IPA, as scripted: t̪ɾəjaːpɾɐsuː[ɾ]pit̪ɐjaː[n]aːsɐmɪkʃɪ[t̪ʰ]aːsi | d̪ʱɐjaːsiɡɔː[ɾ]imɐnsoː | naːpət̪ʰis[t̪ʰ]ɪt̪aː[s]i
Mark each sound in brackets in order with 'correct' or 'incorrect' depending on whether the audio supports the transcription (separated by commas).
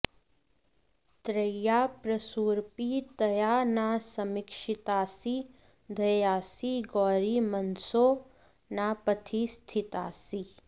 correct, correct, incorrect, correct, correct, correct